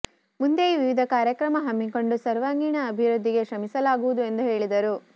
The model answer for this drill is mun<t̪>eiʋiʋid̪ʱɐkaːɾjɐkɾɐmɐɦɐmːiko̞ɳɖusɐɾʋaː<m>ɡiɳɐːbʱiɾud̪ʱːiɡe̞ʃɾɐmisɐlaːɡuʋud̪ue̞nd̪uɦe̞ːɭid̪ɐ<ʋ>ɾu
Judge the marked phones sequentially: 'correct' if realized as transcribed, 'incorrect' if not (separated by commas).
incorrect, incorrect, incorrect